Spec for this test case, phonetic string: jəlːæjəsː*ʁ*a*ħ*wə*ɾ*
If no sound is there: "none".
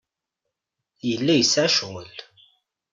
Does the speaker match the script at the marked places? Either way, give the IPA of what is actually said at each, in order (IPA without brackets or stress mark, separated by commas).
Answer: ʕ, ʃ, l